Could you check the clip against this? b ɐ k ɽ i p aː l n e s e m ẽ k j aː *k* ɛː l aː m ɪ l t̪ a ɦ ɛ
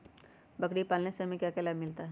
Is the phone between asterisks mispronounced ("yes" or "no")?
no